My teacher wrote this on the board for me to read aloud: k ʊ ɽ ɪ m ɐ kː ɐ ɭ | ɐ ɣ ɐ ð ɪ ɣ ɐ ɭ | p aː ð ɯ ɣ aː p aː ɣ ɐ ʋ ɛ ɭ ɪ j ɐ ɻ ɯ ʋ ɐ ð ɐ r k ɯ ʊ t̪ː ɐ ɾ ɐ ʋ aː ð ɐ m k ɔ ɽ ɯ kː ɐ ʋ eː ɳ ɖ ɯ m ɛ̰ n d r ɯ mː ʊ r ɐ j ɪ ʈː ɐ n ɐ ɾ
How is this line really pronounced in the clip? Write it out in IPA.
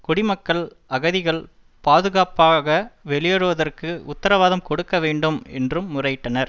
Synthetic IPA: k ʊ ɽ ɪ m ɐ kː ɐ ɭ | ɐ ɣ ɐ ð ɪ ɣ ɐ ɭ | p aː ð ɯ ɣ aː p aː ɣ ɐ ʋ ɛ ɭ ɪ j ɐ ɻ ɯ ʋ ɐ ð ɐ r k ɯ ʊ t̪ː ɐ ɾ ɐ ʋ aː ð ɐ m k ɔ ɽ ɯ kː ɐ ʋ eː ɳ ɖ ɯ m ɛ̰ n d r ɯ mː ʊ r ɐ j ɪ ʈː ɐ n ɐ ɾ